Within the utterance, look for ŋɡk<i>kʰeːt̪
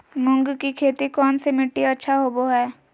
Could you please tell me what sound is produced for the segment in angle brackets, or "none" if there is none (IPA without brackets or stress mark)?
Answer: i